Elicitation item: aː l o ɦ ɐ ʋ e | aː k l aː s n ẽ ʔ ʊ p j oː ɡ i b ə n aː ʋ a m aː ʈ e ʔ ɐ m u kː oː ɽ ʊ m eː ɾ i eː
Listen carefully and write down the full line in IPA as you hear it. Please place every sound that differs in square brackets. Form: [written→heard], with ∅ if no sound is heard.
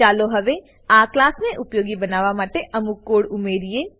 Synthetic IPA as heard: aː l o ɦ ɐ ʋ e | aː k l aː s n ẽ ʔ ʊ p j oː ɡ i b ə n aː ʋ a m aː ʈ e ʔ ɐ m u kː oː ɽ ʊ m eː ɾ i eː